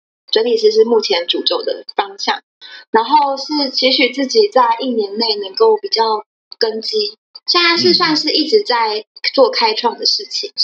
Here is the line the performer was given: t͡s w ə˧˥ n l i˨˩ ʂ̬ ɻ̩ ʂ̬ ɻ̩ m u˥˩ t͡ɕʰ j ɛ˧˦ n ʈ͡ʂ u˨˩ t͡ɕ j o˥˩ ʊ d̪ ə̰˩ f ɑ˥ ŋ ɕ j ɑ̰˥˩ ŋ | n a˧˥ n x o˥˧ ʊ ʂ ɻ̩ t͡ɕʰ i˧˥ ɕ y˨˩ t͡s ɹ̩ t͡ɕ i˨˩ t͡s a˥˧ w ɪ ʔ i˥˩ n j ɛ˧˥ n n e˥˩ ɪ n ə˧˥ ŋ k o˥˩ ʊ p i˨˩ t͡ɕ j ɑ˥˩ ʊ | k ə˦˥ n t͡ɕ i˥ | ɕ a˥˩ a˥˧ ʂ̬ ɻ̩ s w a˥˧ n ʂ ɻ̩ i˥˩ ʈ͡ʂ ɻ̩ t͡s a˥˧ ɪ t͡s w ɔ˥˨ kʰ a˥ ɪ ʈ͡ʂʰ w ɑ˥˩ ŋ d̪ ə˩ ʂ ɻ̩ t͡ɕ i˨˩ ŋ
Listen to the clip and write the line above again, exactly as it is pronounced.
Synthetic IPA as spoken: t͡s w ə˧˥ n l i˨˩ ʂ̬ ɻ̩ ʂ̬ ɻ̩ m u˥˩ t͡ɕʰ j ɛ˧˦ n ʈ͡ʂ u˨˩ t͡ɕ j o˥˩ ʊ d̪ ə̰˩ f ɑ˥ ŋ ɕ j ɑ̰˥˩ ŋ | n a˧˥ n x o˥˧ ʊ ʂ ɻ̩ t͡ɕʰ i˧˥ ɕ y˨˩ t͡s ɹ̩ t͡ɕ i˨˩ t͡s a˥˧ ɪ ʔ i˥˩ n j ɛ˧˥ n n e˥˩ ɪ n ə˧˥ ŋ k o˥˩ ʊ p i˨˩ t͡ɕ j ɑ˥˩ ʊ | k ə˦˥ n t͡ɕ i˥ | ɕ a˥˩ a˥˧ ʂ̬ ɻ̩ s w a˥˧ n ʂ ɻ̩ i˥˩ ʈ͡ʂ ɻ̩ t͡s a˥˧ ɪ t͡s w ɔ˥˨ kʰ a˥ ɪ ʈ͡ʂʰ w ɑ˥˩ ŋ d̪ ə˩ ʂ ɻ̩ t͡ɕʰ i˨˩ ŋ